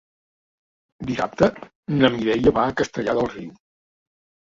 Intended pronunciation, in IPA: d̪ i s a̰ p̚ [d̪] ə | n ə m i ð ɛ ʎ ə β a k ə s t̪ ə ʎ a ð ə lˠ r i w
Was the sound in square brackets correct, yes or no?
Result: no